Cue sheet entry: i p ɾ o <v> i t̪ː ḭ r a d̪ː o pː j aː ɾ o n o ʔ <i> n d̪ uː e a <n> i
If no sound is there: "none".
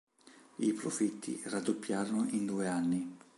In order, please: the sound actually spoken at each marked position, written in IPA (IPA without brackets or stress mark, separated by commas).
f, i, nː